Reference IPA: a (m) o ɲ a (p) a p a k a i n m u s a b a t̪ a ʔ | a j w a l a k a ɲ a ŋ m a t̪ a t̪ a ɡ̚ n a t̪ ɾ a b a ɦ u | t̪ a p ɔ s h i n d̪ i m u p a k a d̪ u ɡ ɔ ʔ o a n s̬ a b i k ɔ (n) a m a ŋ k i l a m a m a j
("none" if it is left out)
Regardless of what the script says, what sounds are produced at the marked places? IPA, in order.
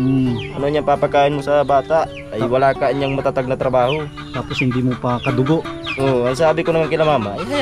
n, p, n

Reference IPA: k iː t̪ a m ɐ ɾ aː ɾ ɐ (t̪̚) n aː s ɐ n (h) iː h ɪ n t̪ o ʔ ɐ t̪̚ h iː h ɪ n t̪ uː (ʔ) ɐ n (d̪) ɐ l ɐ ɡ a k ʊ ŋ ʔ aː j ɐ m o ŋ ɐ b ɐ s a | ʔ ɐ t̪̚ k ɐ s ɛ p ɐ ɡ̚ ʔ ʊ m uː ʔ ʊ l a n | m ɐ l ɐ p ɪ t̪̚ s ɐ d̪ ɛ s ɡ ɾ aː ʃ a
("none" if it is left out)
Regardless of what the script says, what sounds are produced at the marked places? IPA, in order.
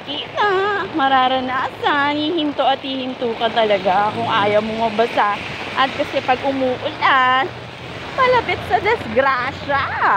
none, h, k, t̪

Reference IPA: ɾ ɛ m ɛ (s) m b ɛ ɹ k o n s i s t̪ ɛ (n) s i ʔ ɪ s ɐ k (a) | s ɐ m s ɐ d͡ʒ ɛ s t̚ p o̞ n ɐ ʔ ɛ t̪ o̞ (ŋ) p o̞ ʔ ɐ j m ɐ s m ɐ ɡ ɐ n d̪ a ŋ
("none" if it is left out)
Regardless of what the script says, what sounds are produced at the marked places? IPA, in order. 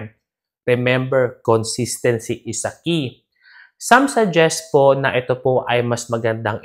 none, n, i, none

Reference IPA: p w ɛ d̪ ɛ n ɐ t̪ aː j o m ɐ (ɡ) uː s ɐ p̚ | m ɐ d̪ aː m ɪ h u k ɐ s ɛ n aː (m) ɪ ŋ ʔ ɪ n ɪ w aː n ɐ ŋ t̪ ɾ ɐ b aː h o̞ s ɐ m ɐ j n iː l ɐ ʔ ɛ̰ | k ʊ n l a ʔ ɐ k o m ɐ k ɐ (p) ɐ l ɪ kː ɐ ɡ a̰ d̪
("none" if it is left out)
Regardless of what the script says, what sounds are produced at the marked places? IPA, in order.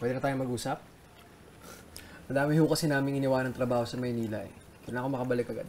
ɡ, m, b

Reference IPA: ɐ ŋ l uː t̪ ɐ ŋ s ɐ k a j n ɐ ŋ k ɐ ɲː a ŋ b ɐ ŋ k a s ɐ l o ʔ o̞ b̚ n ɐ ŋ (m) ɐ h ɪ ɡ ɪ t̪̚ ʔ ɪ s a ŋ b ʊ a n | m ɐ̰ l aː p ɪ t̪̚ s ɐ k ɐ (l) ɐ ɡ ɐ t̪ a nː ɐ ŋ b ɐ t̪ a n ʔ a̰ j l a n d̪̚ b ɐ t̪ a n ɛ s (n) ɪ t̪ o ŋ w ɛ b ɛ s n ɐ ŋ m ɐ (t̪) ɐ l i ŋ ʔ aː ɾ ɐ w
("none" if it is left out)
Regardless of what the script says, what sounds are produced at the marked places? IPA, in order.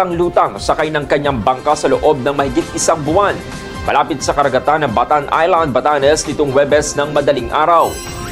m, ɾ, n, d̪

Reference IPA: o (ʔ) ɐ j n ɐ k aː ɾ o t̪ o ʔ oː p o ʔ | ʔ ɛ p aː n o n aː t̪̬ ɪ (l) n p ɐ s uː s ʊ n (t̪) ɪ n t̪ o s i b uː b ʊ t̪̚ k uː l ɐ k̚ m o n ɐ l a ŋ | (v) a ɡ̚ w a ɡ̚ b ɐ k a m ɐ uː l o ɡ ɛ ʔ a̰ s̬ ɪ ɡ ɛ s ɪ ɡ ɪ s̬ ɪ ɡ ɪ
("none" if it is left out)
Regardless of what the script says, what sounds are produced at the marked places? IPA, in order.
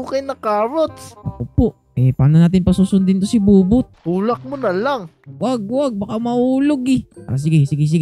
k, none, d̪, w

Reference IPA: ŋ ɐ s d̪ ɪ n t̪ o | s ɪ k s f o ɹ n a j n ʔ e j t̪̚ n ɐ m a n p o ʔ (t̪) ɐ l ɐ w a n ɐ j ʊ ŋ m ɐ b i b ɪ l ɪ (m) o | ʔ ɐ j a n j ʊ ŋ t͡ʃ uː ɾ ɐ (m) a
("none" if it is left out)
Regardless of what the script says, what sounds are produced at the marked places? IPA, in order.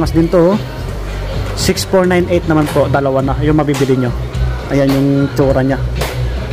d̪, ɲ, ɲ

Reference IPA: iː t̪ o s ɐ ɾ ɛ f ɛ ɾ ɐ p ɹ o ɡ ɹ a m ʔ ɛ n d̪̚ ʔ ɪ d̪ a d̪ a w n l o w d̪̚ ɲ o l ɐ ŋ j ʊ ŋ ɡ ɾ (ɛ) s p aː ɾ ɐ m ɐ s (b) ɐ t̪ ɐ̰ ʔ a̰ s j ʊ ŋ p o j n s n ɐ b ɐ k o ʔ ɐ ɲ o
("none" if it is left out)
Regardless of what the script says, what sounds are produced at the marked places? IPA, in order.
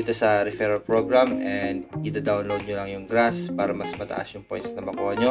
a, m

